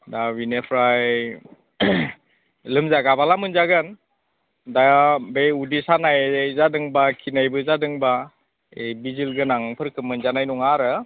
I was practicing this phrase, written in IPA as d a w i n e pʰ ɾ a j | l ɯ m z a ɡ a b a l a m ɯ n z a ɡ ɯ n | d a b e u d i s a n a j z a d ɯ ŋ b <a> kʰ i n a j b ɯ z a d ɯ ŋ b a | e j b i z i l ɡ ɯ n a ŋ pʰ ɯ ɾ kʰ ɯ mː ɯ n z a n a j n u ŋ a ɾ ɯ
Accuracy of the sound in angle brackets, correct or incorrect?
correct